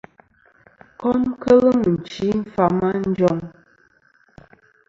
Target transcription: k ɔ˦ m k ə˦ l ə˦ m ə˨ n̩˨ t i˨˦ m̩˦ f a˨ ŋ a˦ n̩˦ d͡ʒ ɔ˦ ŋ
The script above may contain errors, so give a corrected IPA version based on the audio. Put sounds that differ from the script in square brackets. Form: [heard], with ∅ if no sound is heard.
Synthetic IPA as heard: k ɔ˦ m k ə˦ l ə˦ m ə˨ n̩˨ [t͡ʃ] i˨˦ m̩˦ f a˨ [m] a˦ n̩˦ d͡ʒ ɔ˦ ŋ